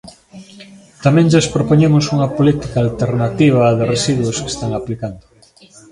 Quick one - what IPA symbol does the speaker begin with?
t̪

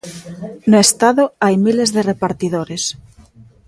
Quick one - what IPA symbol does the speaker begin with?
n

